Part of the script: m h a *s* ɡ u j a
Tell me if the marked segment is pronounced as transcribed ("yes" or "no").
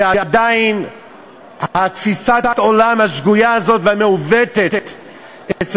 no